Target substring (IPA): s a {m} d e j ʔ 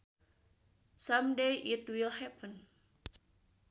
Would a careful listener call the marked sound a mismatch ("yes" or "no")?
no